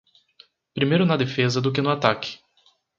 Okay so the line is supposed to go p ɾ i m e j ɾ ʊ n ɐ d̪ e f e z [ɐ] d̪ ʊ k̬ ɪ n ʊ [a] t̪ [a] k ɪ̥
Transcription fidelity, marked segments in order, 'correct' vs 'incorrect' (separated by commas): correct, correct, correct